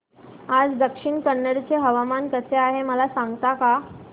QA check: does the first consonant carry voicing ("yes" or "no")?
yes